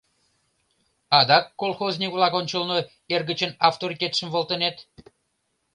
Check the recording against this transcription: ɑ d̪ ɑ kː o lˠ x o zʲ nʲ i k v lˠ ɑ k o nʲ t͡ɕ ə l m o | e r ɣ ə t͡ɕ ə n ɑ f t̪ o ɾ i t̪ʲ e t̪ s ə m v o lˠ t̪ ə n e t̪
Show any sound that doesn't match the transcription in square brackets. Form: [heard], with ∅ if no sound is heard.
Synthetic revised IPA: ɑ d̪ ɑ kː o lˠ x o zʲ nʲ i k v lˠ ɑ k o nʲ t͡ɕ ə l [n] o | e r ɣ ə t͡ɕ ə n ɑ f t̪ o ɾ i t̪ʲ e t̪ [ʃ] ə m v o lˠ t̪ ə n e t̪